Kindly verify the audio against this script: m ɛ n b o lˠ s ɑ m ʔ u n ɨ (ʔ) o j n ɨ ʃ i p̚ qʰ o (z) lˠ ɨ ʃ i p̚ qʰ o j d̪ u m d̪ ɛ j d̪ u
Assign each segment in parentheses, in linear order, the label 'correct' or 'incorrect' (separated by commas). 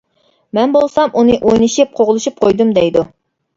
correct, incorrect